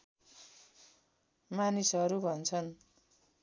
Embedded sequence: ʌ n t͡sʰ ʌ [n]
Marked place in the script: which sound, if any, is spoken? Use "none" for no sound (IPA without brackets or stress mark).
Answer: n